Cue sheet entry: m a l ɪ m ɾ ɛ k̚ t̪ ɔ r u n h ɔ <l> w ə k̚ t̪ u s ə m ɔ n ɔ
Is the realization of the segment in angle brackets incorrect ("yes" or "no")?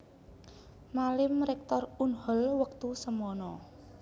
no